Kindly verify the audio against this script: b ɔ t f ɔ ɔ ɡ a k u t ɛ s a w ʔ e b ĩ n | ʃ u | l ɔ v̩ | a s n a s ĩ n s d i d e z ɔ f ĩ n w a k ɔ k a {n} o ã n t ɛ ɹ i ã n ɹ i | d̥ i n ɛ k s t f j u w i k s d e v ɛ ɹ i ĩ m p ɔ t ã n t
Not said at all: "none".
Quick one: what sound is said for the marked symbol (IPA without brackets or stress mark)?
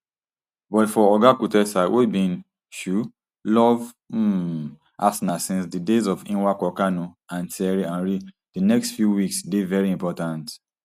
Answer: n